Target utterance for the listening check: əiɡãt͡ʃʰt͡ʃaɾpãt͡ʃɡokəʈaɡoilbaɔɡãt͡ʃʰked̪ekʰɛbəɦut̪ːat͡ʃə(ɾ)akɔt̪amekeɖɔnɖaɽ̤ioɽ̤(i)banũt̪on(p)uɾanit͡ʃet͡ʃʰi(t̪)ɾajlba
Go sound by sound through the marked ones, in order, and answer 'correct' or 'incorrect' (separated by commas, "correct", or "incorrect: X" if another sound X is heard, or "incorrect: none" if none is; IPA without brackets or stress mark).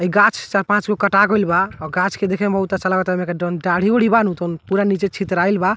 incorrect: l, correct, correct, correct